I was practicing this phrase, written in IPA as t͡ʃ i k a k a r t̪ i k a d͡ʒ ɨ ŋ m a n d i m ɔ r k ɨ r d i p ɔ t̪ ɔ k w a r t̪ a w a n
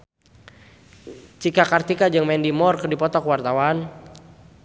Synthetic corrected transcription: t͡ʃ i k a k a r t̪ i k a d͡ʒ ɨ ŋ m ɛ n d i m ɔ r k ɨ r d i p ɔ t̪ ɔ k w a r t̪ a w a n